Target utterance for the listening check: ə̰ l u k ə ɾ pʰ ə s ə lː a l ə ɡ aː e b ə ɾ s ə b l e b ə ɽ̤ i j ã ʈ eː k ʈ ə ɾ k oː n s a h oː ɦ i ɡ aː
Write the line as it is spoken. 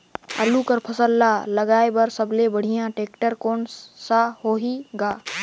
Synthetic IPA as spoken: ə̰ l u k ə ɾ pʰ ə s ə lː a l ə ɡ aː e b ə ɾ s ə b l e b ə ɽ̤ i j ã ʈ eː k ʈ ə ɾ k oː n s a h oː ɦ i ɡ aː